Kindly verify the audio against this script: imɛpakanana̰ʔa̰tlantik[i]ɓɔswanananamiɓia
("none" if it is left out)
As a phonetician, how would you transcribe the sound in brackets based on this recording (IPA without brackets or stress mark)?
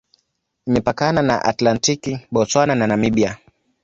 i